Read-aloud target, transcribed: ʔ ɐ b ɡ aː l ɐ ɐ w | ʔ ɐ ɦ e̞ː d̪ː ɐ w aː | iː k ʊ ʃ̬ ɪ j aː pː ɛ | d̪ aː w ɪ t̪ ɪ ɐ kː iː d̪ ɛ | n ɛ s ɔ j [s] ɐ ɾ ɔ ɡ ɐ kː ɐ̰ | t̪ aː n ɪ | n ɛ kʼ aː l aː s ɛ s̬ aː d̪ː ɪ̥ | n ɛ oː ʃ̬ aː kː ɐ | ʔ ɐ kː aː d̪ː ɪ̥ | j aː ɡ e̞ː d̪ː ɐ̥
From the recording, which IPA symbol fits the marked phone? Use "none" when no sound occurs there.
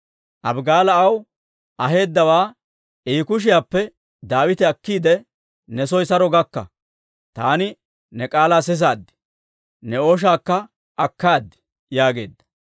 s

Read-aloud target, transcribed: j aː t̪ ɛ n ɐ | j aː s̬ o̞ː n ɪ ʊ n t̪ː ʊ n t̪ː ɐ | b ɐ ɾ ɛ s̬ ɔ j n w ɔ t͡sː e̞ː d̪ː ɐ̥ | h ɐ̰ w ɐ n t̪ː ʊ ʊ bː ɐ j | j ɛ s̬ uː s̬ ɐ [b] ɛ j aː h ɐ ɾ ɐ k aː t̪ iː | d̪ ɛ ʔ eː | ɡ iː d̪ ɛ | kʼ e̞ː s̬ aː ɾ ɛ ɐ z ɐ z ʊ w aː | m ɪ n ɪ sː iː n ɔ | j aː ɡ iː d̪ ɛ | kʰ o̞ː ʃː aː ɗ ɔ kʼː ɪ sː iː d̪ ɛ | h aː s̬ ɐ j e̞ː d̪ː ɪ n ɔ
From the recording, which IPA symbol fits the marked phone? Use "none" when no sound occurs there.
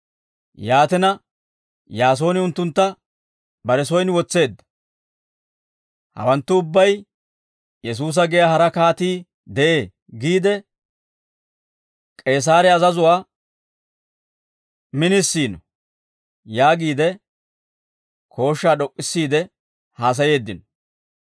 ɡ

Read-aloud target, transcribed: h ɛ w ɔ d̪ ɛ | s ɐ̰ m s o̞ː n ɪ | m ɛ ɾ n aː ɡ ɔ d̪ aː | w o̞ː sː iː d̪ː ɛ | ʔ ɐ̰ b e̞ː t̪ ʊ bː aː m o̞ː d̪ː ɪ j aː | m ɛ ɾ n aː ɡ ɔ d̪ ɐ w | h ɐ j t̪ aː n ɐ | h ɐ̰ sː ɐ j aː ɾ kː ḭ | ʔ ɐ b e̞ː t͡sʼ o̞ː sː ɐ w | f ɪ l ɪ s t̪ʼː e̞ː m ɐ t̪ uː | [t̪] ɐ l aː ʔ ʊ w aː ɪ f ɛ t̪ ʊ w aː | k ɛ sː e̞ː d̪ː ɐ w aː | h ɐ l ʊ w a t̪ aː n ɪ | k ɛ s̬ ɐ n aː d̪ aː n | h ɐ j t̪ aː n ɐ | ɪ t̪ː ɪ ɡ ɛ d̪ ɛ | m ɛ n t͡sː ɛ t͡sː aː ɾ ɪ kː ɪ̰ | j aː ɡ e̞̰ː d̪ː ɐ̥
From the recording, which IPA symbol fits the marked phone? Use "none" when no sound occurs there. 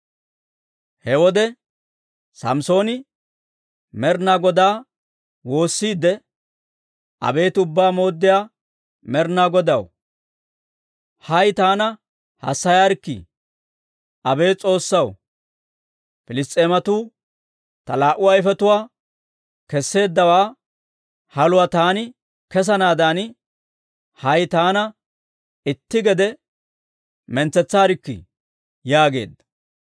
t̪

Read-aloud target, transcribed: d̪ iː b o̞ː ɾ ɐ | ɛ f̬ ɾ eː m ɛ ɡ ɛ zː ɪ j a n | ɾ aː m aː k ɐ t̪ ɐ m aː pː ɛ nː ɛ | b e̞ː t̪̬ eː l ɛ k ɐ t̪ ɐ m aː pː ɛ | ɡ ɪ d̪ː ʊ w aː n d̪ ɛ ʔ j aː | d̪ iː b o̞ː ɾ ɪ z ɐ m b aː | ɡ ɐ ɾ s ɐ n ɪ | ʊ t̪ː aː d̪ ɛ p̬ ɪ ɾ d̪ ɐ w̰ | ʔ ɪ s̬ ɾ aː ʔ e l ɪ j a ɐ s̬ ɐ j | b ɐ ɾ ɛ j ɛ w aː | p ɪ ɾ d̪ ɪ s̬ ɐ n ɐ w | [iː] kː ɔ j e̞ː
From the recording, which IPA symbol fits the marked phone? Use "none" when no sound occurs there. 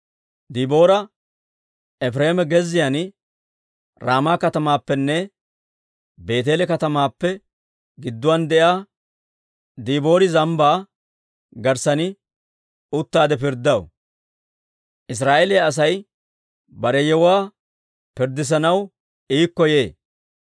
iː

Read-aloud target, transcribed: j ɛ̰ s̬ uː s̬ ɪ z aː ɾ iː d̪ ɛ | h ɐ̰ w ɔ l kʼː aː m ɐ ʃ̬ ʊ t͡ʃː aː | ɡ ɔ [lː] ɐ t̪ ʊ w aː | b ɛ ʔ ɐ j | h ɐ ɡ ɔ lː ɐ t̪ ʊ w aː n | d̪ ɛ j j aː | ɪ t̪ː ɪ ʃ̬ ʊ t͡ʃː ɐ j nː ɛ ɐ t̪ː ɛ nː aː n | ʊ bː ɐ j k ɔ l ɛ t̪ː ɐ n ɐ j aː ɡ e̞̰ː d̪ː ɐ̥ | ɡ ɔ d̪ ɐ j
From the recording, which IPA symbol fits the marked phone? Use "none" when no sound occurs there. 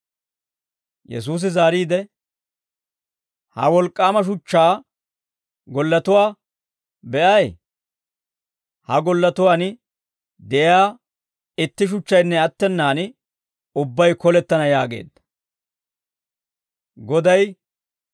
lː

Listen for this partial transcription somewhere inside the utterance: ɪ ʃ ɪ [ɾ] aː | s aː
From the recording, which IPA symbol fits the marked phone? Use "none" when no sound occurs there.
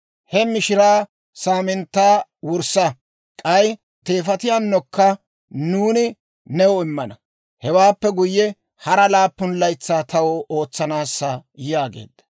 ɾ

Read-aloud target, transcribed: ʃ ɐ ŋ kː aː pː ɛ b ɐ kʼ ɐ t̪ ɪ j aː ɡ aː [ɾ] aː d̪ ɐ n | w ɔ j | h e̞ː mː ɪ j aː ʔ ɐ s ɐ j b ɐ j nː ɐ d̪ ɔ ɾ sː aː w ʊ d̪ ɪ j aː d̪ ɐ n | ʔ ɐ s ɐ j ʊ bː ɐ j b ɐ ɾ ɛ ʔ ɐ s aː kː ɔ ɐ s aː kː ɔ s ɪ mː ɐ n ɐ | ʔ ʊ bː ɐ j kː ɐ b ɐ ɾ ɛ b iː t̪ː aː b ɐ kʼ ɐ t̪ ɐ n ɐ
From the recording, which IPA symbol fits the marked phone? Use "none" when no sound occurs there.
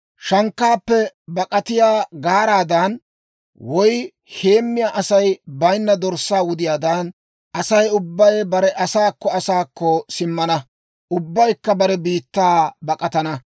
ɾ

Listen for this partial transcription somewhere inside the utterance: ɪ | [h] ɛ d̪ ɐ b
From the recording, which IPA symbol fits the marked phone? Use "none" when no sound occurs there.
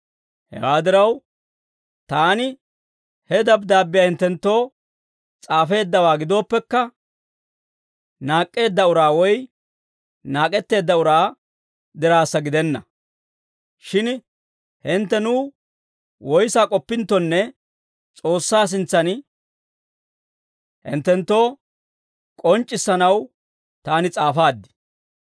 h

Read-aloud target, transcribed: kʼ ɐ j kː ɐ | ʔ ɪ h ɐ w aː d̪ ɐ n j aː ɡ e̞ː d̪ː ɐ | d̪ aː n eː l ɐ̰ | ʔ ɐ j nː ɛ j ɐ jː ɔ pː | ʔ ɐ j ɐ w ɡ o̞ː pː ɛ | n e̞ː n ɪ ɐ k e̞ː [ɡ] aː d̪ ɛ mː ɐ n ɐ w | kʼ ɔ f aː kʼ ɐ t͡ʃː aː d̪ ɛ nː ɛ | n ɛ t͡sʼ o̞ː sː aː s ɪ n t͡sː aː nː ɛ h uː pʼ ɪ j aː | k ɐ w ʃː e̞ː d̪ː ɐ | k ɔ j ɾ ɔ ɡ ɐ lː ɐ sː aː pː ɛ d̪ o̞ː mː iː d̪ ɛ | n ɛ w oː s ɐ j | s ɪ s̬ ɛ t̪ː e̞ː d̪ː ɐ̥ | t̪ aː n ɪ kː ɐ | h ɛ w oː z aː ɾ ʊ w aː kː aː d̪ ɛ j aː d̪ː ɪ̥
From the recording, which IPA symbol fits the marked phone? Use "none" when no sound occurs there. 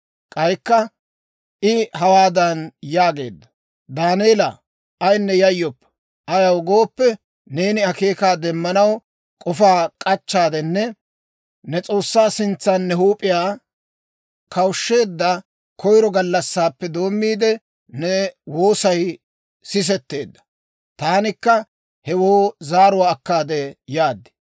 k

